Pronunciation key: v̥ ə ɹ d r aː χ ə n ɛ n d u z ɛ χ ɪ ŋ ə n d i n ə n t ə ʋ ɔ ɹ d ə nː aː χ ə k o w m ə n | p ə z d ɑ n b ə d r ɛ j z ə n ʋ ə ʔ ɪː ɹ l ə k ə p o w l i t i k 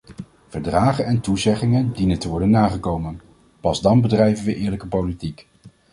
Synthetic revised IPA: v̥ ə ɹ d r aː χ ə n ɛ n t u z ɛ χ ɪ ŋ ə n d i n ə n t ə ʋ ɔ ɹ d ə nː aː χ ə k o w m ə n | p ɑ z d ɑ n b ə d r ɛ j v ə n ʋ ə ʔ ɪː ɹ l ə k ə p o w l i t i k